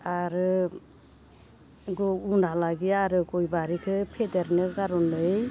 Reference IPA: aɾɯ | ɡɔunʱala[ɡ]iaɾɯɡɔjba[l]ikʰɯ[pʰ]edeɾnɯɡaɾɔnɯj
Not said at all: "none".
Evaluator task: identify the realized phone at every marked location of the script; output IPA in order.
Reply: ɡ, ɾ, pʰ

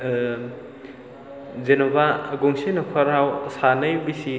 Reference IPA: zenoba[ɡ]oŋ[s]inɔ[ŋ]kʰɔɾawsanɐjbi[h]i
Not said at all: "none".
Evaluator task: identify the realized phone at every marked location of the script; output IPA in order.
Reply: ɡ, s, none, s

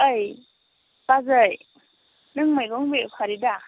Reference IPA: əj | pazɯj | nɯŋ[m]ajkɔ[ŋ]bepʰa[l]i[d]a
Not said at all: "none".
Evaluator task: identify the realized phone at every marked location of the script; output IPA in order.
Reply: m, ŋ, ɾ, d

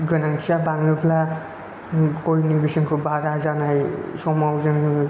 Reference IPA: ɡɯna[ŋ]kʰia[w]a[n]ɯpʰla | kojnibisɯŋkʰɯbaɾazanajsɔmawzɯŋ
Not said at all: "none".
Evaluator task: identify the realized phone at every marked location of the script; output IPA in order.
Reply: ŋ, b, ŋ

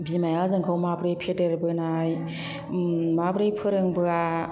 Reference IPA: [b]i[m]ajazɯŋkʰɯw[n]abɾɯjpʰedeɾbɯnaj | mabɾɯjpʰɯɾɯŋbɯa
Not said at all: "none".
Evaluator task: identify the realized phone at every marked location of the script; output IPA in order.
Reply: b, m, m

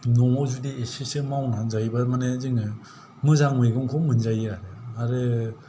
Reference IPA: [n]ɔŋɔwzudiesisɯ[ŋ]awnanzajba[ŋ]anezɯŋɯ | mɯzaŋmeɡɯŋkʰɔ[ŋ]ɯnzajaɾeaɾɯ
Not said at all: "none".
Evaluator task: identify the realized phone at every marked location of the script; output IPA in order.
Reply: n, m, m, m

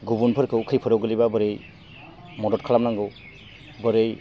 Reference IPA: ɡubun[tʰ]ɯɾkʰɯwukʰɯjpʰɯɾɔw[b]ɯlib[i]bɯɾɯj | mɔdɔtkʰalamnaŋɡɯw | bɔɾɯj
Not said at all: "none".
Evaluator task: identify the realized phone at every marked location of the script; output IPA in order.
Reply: pʰ, ɡ, a

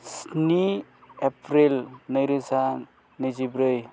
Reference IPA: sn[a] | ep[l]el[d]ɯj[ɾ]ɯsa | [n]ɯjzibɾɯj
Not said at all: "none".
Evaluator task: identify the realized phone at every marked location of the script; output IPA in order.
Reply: i, ɾ, n, ɾ, n

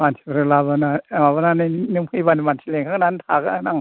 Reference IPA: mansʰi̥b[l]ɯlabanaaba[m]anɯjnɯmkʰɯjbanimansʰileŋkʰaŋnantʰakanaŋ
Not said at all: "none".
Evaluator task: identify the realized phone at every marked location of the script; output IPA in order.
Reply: ɾ, n

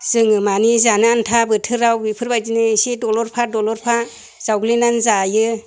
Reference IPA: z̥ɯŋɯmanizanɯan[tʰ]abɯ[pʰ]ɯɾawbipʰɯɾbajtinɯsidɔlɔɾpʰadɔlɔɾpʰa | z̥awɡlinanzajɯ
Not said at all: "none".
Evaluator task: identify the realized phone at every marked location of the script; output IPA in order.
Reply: tʰ, tʰ

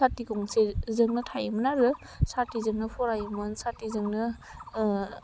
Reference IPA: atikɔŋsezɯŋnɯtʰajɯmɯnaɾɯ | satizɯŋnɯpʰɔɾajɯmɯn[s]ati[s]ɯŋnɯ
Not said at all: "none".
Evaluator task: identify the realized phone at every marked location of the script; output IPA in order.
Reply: s, z

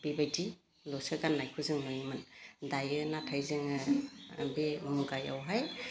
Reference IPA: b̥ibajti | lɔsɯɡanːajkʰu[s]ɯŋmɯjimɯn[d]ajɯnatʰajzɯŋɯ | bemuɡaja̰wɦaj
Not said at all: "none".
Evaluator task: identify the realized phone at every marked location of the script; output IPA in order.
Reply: z, d

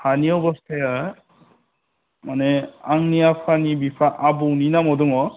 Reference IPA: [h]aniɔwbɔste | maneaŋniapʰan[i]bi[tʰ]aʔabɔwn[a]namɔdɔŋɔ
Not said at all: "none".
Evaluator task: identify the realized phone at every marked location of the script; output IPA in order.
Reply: h, i, pʰ, i

